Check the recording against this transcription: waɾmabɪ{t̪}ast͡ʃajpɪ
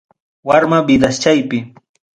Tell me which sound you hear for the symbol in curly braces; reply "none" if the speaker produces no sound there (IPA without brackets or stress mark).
d̪